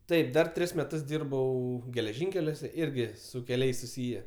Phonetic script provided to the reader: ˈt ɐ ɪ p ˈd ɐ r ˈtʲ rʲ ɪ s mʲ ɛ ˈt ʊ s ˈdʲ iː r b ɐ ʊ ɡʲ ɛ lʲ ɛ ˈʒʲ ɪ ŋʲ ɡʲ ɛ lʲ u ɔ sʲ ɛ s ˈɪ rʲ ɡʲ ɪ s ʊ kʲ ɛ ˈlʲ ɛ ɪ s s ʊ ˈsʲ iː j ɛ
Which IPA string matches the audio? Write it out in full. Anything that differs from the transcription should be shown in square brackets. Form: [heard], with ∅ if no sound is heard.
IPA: ˈt ɐ ɪ p ˈd ɐ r ˈtʲ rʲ ɪ s mʲ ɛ ˈt ʊ s ˈdʲ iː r b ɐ ʊ ɡʲ ɛ lʲ ɛ ˈʒʲ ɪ ŋʲ [kʲ] ɛ lʲ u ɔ sʲ ɛ [∅] ˈɪ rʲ ɡʲ ɪ s ʊ kʲ ɛ ˈlʲ ɛ ɪ s s ʊ ˈsʲ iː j ɛ